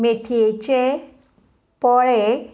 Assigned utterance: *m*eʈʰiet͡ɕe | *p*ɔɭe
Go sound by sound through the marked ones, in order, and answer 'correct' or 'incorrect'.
correct, correct

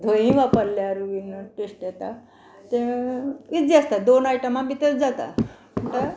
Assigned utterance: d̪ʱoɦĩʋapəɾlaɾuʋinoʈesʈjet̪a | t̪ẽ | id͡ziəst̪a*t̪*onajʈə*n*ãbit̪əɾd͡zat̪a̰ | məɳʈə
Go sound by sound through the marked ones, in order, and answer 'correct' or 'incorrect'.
incorrect: d̪, incorrect: m

